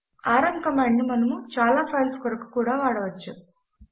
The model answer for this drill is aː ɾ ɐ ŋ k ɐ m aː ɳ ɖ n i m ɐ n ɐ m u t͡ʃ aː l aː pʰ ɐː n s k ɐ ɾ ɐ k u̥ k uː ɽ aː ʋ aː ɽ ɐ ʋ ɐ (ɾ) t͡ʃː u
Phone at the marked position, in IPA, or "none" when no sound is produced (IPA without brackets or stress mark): none